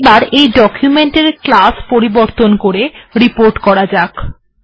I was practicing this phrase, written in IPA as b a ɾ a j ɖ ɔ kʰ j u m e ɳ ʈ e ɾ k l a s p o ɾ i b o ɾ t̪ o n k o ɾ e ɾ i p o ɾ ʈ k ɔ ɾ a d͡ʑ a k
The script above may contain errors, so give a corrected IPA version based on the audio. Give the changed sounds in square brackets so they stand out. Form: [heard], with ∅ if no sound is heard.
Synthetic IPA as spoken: b a ɾ [e] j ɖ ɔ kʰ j u m e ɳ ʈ e ɾ k l a s p o ɾ i b o ɾ t̪ o n k o ɾ e ɾ i p o ɾ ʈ k ɔ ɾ a d͡ʑ a k